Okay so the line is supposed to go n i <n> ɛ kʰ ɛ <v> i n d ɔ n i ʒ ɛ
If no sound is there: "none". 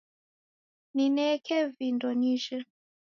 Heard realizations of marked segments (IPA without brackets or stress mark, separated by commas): n, v